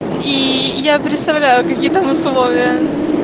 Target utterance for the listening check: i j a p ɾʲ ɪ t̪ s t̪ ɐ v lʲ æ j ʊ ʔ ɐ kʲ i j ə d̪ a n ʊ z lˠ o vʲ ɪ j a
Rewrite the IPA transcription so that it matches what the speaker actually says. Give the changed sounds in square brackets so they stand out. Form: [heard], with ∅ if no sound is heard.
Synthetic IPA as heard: i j a p ɾʲ ɪ t̪ s t̪ ɐ v lʲ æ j ʊ [k] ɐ kʲ i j ə [t̪] a [m] ʊ [s] lˠ o vʲ ɪ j [ə]